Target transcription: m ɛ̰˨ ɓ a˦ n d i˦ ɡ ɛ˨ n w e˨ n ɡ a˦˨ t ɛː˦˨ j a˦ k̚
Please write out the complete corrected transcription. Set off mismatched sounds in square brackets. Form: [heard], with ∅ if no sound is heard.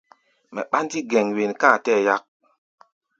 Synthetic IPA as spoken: m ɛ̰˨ ɓ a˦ n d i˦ ɡ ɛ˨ [ŋ] w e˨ n [k] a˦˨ t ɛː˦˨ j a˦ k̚